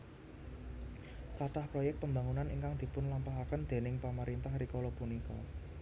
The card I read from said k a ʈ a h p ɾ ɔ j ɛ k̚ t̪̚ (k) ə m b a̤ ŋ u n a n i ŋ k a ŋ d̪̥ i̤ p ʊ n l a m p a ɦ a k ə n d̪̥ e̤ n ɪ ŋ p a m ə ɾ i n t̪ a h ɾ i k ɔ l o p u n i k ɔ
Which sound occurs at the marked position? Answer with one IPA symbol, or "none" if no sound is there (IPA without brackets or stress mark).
p